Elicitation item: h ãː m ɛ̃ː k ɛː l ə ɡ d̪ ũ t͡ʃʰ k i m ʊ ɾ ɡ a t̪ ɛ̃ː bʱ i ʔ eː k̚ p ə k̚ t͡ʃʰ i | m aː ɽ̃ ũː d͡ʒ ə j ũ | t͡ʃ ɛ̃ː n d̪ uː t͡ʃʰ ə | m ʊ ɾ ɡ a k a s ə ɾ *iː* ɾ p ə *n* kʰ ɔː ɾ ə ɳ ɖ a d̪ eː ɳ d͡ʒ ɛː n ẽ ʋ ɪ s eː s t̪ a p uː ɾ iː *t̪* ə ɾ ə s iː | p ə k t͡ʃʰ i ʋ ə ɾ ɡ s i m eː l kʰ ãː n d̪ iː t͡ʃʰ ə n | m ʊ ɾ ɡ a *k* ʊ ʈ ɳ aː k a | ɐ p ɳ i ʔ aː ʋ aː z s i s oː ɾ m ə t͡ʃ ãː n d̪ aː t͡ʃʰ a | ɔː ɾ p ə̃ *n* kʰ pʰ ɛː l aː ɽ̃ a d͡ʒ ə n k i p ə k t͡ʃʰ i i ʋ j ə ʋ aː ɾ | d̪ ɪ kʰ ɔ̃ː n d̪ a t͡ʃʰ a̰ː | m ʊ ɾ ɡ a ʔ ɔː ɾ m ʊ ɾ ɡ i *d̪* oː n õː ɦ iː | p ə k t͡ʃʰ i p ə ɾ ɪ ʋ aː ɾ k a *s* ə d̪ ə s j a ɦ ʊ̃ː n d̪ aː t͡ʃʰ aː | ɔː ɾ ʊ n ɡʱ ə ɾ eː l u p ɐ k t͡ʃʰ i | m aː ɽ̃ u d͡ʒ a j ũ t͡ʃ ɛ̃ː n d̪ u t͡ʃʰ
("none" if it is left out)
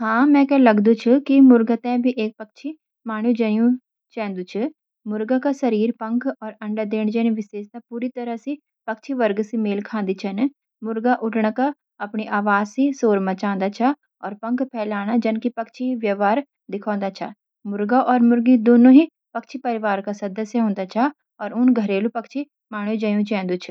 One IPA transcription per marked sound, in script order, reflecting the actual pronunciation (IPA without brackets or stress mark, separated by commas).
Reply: iː, ŋ, t̪, ʔ, ŋ, d̪, s